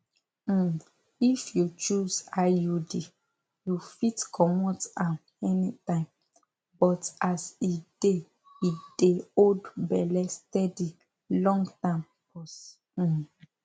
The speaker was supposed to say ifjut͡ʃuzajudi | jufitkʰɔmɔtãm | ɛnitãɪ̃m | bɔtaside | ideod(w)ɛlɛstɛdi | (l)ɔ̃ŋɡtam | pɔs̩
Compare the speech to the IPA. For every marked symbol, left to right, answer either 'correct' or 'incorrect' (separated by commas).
incorrect, correct